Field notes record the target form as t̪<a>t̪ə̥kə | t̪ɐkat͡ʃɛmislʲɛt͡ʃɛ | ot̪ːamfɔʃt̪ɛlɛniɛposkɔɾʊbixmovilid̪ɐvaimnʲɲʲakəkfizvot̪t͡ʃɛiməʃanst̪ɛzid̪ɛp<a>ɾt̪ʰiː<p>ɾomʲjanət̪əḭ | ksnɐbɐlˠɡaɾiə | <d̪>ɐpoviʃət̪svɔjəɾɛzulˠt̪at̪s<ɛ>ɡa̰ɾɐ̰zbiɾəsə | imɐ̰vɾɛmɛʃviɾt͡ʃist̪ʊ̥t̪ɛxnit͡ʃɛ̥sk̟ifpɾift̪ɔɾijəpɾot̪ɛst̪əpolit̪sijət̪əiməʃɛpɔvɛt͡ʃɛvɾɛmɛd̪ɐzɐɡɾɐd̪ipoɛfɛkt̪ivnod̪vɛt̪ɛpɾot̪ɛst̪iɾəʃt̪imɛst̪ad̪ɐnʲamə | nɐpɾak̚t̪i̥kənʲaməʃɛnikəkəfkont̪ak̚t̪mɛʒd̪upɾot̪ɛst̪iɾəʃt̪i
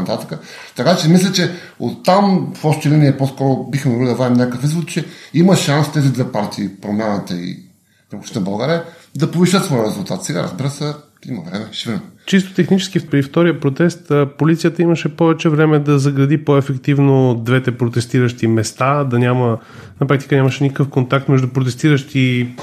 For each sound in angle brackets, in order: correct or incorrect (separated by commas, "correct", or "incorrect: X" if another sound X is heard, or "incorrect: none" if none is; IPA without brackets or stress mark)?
correct, correct, correct, correct, correct